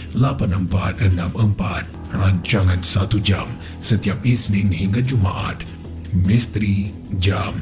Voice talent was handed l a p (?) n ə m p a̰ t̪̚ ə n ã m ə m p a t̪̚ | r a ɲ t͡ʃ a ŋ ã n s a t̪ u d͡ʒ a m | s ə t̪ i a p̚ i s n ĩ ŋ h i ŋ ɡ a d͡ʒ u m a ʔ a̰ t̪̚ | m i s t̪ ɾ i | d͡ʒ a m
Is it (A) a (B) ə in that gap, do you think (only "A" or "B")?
A